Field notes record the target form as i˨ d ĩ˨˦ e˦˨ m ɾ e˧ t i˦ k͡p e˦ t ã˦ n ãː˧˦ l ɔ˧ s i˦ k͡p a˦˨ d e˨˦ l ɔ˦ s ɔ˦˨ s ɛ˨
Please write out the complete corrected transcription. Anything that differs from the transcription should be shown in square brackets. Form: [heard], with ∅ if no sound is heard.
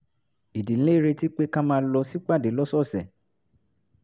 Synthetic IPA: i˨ d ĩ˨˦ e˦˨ [∅] ɾ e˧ t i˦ k͡p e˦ [k] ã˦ [m] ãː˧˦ l ɔ˧ s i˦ k͡p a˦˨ d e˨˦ l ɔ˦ s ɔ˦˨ s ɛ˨